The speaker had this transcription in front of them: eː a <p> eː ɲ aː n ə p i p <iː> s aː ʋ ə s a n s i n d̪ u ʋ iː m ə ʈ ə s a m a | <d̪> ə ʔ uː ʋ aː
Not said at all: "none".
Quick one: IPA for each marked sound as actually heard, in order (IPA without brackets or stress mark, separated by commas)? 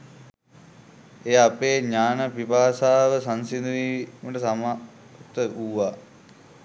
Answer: p, aː, t̪